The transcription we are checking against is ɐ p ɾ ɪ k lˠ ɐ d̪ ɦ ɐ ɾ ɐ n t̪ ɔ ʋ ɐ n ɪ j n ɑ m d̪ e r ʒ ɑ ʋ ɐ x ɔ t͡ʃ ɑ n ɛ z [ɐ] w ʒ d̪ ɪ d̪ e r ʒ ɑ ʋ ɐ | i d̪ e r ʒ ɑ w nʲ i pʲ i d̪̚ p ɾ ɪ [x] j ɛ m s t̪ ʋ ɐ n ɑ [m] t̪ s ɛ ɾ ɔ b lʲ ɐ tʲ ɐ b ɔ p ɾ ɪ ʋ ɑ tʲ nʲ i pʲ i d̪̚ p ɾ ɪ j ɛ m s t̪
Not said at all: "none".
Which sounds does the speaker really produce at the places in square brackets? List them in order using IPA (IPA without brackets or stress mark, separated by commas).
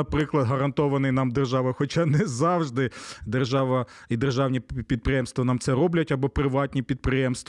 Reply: ɑ, none, m